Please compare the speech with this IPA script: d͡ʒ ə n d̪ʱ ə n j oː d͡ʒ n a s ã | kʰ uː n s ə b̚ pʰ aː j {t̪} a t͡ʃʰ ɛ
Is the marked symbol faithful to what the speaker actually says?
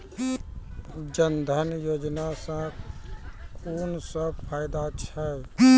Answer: no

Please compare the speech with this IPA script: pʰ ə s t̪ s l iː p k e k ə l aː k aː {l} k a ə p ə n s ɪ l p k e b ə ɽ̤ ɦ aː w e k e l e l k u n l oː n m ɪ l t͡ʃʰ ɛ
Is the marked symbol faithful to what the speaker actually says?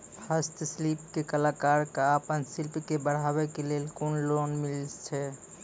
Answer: no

